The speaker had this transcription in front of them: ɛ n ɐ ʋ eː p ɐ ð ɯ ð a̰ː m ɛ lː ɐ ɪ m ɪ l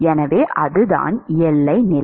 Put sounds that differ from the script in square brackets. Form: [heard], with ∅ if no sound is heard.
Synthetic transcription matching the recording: ɛ n ɐ ʋ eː [ʔ] ɐ ð ɯ ð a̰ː [n] ɛ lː ɐ ɪ [n] ɪ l